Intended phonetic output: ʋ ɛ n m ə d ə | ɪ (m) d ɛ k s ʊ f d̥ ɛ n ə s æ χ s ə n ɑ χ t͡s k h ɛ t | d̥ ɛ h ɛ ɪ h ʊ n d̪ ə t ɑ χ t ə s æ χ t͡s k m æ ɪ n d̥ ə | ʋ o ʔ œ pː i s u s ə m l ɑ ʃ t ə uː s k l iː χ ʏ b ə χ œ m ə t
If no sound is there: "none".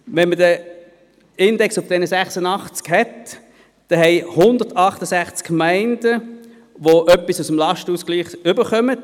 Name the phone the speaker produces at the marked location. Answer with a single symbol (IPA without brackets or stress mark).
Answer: n